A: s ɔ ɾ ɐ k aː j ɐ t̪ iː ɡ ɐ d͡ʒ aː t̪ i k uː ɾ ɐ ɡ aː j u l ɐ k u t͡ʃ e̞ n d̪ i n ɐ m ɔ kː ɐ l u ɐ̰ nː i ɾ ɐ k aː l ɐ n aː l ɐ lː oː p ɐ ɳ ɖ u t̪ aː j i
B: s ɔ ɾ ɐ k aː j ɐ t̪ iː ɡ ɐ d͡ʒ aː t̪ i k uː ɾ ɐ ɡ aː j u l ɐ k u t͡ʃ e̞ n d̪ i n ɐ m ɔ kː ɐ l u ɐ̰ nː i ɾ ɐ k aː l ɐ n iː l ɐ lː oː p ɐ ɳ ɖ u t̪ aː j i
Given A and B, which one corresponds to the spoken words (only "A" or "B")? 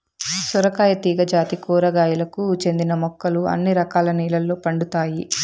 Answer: B